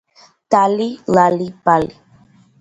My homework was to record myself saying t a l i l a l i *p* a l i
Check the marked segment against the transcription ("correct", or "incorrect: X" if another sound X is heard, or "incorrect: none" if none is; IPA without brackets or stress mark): correct